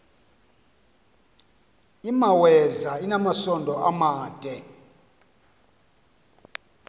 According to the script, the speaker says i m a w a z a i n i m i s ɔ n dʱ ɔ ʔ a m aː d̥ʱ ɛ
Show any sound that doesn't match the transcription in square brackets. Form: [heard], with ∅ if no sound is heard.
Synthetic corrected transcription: i m a w [ɛ] z a i n [a] m [a] s ɔ n dʱ ɔ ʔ a m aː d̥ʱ ɛ